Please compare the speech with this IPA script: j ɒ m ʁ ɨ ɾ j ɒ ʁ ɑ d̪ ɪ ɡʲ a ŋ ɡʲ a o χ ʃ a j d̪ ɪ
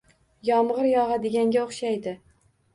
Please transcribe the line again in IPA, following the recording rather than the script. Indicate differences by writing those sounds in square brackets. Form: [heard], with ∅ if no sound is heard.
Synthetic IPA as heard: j ɒ m ʁ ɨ ɾ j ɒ ʁ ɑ d̪ ɪ ɡʲ a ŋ ɡʲ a o χ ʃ a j d̪ ɪ